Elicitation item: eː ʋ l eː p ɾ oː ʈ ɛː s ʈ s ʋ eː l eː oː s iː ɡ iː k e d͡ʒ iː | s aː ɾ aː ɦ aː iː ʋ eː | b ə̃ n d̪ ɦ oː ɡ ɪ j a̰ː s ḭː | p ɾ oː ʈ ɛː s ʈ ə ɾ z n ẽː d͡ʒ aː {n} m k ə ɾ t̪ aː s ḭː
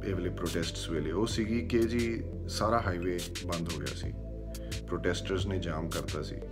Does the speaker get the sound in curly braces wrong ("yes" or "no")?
yes